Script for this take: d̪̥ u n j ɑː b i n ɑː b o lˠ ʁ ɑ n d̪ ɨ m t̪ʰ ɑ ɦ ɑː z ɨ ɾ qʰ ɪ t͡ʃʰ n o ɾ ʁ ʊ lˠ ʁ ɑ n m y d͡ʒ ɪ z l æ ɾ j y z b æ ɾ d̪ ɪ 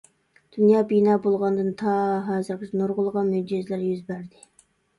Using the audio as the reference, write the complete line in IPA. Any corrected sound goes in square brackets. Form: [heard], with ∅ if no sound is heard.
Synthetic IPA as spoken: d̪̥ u n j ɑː b i n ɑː b o lˠ ʁ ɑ n d̪ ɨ [n] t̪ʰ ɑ ɦ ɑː z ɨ ɾ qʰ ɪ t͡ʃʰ n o ɾ ʁ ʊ lˠ ʁ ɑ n m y d͡ʒ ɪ z l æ ɾ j y z b æ ɾ d̪ ɪ